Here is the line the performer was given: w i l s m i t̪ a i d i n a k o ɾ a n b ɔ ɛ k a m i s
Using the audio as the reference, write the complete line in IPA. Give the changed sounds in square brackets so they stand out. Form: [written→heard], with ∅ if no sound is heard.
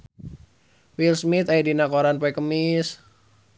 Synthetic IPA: w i l s m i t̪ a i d i n a k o ɾ a n [b→p] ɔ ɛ k [a→ə] m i s

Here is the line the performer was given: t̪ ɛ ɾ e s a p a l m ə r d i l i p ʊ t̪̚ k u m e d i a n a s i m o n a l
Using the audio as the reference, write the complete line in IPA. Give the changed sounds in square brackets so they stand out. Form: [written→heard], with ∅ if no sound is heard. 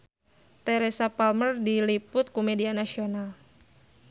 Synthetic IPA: t̪ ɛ ɾ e s a p a l m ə r d i l i p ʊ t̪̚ k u m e d i a n a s i [m→∅] o n a l

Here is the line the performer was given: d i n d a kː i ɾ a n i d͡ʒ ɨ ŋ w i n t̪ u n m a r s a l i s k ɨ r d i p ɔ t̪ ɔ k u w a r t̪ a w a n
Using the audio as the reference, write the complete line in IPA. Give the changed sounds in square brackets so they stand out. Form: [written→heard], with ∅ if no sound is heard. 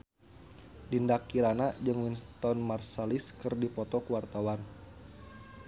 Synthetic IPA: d i n d a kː i ɾ a n [i→a] d͡ʒ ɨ ŋ w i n t̪ [u→ɔ] n m a r s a l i s k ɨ r d i p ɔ t̪ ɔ k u w a r t̪ a w a n

